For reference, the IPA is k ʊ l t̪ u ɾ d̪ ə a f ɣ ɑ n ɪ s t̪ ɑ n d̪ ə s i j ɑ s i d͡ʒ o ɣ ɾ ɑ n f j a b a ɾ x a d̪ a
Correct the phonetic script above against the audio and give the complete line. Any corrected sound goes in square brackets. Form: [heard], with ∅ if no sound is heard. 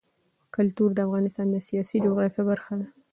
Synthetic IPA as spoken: k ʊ l t̪ u ɾ d̪ ə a f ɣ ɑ n ɪ s t̪ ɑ n d̪ ə s i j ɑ s i d͡ʒ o ɣ ɾ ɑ [∅] f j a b a ɾ x a d̪ a